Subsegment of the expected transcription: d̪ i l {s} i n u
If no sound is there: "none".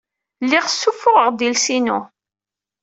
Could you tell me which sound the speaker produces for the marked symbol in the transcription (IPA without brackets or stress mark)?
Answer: s